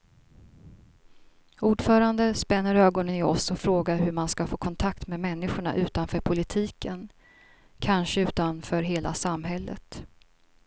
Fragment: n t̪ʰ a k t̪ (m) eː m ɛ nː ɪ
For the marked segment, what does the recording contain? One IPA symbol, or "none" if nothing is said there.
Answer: m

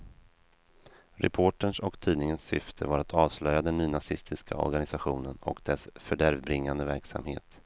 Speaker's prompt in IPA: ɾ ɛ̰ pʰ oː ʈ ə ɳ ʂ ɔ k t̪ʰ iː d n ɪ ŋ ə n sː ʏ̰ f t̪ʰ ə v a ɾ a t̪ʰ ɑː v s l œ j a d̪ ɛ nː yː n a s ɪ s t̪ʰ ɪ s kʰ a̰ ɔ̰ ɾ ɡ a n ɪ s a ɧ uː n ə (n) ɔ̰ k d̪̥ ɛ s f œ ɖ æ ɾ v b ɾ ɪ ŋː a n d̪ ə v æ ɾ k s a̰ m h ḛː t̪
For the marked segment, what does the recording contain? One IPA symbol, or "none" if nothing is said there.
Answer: n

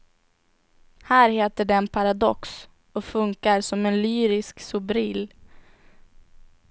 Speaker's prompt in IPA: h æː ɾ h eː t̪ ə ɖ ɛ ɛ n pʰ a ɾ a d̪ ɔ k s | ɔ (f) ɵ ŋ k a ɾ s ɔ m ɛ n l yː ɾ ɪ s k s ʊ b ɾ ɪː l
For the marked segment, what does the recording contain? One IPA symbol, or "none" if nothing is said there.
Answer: f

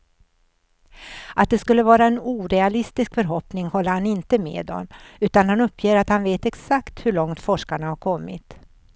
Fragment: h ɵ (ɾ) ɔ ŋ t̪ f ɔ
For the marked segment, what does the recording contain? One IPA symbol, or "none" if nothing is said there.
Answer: ɭ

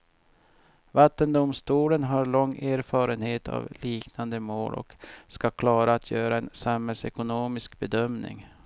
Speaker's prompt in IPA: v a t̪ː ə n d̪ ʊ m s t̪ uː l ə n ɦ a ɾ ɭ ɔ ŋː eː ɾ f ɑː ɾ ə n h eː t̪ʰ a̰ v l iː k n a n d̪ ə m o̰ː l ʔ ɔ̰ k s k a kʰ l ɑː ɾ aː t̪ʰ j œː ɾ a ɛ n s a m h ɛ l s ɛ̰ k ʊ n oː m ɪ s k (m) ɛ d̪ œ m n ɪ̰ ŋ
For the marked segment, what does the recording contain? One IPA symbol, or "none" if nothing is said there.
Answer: b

